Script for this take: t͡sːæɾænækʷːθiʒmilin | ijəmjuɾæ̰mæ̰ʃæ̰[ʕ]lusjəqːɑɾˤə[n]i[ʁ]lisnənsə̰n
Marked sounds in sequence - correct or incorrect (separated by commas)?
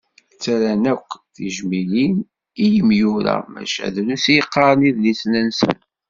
incorrect, correct, incorrect